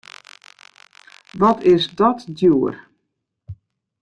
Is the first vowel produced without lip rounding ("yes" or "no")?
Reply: no